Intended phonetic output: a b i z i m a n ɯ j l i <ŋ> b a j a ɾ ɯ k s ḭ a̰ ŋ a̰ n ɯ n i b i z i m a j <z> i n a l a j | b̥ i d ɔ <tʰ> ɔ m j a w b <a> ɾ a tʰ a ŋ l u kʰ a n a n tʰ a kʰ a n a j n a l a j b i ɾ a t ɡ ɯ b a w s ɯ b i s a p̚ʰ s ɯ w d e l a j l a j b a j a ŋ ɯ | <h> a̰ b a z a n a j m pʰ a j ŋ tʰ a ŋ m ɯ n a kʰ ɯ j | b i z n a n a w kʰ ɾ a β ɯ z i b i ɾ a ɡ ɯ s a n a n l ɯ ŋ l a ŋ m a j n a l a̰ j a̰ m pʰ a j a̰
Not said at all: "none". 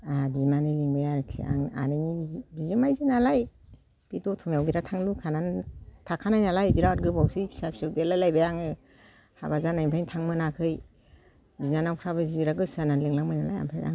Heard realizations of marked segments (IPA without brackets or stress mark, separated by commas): ŋ, z, tʰ, i, h